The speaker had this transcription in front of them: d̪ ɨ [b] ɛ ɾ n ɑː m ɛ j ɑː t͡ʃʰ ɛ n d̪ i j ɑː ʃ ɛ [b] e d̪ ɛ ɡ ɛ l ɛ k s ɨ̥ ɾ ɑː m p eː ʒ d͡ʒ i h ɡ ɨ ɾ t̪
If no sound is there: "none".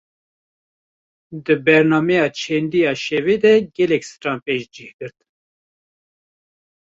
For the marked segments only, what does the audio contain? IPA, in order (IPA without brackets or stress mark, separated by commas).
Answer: b, v